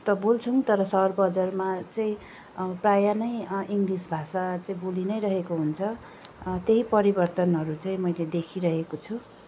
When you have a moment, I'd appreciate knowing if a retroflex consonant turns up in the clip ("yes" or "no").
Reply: no